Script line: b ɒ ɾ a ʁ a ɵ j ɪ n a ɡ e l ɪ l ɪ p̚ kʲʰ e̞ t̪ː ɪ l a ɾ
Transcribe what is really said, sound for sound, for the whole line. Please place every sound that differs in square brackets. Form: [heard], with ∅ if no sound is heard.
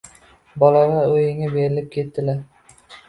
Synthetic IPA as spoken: b ɒ [l] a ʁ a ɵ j ɪ [ŋ] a [b] e [ɾ] ɪ l ɪ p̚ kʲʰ e̞ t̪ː ɪ l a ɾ